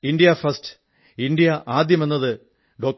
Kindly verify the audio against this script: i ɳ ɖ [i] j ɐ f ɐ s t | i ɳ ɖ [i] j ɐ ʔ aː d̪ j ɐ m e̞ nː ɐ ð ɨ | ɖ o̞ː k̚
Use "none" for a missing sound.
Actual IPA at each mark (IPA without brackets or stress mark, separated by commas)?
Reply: i, i